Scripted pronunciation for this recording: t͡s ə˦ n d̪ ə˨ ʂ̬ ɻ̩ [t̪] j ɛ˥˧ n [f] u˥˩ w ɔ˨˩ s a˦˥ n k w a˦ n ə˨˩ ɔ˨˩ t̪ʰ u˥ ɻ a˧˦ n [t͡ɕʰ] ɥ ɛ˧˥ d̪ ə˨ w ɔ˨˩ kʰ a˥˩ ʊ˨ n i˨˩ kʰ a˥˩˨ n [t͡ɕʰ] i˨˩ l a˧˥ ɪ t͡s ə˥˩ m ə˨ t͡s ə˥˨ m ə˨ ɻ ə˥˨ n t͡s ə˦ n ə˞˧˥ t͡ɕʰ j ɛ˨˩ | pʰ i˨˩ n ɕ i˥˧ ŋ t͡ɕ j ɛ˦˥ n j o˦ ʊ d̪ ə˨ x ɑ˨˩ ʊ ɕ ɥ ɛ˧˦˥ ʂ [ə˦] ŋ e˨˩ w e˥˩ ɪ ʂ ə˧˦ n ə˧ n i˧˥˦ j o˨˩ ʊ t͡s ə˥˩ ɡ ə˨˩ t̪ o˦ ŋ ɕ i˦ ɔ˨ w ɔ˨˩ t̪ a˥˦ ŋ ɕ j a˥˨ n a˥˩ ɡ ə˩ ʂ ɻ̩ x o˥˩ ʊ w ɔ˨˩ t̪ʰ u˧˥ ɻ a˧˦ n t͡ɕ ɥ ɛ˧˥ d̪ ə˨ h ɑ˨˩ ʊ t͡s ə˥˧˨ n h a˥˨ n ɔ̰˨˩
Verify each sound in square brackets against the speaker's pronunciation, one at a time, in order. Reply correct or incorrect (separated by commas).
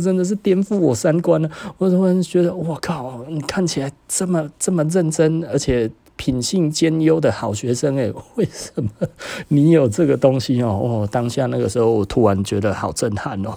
correct, correct, incorrect, correct, correct